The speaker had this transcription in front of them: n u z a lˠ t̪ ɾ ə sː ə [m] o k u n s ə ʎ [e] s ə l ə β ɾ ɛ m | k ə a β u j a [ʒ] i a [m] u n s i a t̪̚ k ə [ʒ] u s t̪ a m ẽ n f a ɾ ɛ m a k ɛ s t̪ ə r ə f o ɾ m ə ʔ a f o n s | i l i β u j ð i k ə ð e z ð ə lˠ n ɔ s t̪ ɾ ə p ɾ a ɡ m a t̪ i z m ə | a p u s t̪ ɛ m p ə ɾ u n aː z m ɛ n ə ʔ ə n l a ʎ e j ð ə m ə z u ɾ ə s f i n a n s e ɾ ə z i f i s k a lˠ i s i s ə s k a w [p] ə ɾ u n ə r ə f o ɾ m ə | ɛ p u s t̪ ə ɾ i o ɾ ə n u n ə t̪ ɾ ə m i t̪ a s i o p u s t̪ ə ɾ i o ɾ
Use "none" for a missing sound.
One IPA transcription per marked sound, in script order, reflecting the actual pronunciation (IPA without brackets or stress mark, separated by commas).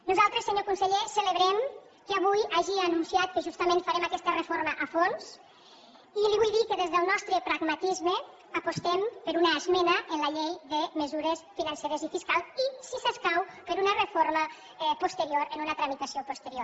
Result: ɲ, e, ʒ, n, ʒ, p